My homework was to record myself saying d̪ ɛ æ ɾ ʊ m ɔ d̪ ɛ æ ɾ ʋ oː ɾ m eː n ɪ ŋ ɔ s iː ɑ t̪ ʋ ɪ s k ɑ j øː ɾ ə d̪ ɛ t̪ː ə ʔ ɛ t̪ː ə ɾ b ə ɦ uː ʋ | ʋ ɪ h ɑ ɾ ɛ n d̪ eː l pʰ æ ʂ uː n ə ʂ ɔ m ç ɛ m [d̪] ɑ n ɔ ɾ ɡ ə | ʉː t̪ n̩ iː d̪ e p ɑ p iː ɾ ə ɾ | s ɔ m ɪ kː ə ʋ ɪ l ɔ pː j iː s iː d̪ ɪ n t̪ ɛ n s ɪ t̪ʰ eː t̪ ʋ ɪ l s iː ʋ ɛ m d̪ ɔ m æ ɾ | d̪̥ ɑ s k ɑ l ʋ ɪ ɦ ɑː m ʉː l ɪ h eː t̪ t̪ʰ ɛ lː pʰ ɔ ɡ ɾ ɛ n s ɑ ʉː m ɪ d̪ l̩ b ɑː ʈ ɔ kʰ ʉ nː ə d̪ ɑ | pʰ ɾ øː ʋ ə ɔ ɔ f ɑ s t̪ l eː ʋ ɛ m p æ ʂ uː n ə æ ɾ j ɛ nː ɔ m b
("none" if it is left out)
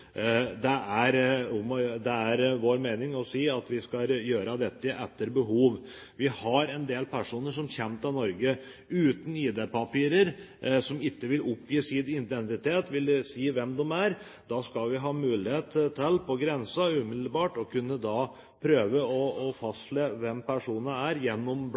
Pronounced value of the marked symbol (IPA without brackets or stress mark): t̪